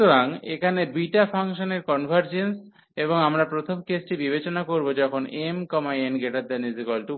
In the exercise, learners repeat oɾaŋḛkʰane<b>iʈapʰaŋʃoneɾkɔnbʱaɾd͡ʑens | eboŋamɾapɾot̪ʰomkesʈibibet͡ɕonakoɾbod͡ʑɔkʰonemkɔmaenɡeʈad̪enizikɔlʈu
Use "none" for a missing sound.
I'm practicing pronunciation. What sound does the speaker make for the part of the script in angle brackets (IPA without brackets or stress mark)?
b